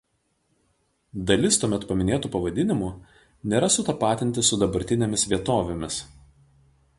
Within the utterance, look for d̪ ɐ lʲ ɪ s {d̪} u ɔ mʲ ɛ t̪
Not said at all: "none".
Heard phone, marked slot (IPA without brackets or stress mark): t̪